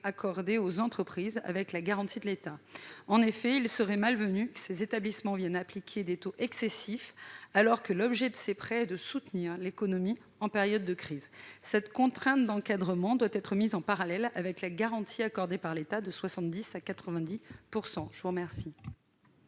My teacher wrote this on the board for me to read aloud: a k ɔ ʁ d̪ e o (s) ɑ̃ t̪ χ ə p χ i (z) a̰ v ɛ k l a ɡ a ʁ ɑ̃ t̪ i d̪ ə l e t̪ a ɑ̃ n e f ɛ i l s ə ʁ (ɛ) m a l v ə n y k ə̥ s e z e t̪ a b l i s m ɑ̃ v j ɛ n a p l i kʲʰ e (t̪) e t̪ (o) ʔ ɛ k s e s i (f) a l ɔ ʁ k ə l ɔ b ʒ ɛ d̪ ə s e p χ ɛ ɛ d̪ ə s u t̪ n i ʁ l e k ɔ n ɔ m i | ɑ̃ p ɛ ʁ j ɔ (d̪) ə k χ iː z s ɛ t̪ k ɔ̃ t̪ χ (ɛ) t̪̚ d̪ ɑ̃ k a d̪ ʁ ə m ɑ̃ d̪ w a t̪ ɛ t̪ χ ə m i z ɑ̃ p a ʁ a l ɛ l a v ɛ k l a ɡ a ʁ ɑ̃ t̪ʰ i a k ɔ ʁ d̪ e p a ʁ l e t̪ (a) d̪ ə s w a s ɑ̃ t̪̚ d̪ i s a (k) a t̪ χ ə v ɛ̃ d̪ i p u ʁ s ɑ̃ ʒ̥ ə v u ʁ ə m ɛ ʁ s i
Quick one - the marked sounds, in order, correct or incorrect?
incorrect, correct, correct, incorrect, correct, correct, incorrect, incorrect, correct, correct

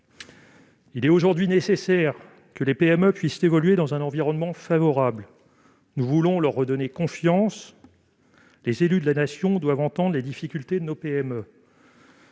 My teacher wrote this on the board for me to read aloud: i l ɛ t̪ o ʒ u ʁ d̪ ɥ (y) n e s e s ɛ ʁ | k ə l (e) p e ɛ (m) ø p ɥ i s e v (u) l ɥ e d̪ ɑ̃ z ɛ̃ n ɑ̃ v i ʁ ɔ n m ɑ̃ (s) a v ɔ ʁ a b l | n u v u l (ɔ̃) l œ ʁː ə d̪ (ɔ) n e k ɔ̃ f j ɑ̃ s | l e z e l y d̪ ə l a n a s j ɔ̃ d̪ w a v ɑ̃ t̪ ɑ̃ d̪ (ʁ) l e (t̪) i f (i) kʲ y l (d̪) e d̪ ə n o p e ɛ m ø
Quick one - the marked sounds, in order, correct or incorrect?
incorrect, correct, correct, incorrect, incorrect, correct, correct, correct, incorrect, correct, incorrect

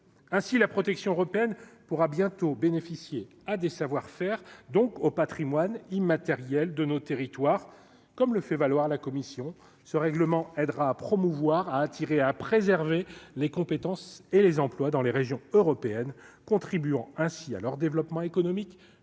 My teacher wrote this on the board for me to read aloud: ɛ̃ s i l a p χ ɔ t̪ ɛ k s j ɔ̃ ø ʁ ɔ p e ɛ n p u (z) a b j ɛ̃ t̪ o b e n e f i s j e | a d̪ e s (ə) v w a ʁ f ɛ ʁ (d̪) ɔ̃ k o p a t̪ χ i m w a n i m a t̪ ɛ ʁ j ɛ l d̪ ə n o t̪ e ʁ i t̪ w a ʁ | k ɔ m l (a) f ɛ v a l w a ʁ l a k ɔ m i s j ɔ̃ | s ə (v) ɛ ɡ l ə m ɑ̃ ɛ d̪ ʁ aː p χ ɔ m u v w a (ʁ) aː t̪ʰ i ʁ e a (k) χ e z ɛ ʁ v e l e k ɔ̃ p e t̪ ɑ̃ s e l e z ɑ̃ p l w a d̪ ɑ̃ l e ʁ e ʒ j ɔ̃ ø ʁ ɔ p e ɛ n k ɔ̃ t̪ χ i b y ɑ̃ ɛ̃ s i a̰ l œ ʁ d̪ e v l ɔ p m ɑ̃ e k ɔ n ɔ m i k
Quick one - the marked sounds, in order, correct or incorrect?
incorrect, incorrect, correct, incorrect, incorrect, correct, incorrect

